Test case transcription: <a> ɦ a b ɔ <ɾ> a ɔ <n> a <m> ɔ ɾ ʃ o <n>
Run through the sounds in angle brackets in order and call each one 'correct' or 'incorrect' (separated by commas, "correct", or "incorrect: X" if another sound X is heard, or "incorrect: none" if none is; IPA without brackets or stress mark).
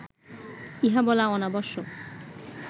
incorrect: i, incorrect: l, correct, incorrect: b, incorrect: none